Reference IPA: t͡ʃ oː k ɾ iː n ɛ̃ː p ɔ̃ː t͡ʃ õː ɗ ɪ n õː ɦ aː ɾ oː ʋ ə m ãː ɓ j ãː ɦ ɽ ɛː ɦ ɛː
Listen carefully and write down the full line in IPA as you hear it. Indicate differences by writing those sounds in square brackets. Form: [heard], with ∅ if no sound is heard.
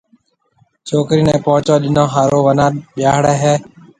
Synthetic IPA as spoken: t͡ʃ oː k ɾ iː n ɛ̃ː p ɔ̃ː t͡ʃ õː ɗ ɪ n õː ɦ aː ɾ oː ʋ ə [n] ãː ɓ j [aː] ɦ ɽ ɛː ɦ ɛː